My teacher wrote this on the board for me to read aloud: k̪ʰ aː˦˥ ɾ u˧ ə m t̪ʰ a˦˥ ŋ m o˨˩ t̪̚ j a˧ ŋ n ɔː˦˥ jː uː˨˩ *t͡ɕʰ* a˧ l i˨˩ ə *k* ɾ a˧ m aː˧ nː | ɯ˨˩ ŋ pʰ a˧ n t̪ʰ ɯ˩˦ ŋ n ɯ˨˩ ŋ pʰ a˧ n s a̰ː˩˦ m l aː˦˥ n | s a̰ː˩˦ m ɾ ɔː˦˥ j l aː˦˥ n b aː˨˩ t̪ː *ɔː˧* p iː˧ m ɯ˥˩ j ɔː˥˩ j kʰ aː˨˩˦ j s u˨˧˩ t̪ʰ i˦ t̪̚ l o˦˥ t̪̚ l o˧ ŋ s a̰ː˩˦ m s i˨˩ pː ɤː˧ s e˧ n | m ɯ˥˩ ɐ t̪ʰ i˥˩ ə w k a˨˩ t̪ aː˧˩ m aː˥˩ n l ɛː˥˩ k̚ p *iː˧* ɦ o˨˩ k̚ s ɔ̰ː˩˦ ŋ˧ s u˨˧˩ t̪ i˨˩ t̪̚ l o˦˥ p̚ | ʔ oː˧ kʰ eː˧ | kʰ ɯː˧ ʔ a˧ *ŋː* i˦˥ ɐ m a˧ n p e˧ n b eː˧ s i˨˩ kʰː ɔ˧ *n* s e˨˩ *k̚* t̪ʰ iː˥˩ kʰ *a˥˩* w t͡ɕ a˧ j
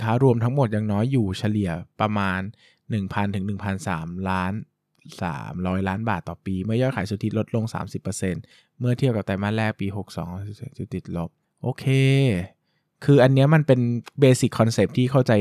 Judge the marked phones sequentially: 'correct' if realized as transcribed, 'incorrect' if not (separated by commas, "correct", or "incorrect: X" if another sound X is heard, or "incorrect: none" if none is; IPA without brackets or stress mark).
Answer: correct, incorrect: p, incorrect: ɔː˨˩, correct, incorrect: nː, correct, incorrect: p̚, correct